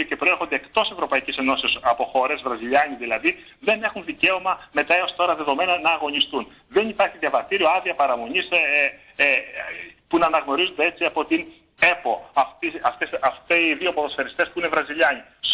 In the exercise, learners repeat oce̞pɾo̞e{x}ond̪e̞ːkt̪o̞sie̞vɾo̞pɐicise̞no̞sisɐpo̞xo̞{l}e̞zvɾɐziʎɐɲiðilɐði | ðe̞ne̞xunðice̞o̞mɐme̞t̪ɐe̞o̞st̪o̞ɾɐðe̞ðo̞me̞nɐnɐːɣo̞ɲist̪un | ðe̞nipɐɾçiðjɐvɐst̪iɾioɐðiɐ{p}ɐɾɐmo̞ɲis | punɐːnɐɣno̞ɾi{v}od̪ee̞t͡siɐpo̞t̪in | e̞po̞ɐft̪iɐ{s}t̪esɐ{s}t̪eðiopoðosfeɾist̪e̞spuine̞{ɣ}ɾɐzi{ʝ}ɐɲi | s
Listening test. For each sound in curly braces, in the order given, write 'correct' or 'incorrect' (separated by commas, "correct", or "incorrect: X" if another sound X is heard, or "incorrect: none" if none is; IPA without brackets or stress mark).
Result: correct, incorrect: ɾ, correct, incorrect: z, incorrect: f, incorrect: f, incorrect: v, incorrect: ʎ